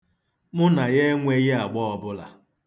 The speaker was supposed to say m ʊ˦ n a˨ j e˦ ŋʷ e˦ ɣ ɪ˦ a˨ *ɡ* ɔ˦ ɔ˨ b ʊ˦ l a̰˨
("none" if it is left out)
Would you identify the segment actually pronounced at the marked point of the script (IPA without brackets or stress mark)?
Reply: ɡ͡b